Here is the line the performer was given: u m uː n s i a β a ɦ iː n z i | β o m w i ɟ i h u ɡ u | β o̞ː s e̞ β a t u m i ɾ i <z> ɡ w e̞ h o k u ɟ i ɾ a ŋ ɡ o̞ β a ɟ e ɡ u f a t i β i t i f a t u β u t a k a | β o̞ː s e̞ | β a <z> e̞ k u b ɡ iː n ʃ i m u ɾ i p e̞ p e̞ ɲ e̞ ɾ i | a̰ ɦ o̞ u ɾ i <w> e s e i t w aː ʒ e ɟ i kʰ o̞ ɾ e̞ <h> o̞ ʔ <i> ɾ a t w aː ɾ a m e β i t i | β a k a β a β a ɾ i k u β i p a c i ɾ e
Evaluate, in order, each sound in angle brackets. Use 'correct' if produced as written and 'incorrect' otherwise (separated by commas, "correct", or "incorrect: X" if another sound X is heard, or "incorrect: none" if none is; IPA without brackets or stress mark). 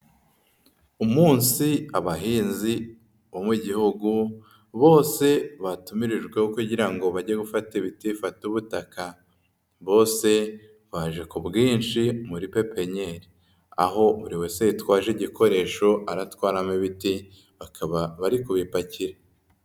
incorrect: ʒ, incorrect: ʒ, correct, incorrect: ʃ, incorrect: a